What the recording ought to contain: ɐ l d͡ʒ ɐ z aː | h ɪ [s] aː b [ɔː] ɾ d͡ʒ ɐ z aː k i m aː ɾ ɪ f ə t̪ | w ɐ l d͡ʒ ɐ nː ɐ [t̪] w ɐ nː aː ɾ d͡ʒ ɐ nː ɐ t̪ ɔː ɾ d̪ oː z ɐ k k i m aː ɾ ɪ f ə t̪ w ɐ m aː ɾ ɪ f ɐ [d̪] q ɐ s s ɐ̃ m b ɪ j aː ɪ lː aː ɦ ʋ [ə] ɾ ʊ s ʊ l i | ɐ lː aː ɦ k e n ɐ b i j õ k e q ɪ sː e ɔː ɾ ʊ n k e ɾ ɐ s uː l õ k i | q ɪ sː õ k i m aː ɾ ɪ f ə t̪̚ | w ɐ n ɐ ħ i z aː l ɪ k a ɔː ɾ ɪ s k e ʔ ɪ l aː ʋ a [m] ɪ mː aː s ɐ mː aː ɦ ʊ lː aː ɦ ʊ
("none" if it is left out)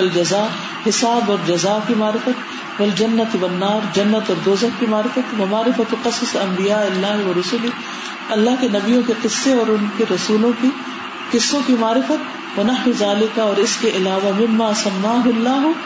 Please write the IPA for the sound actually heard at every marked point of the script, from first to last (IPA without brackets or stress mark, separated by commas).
s, ɔː, t̪, t̪, ɐ, m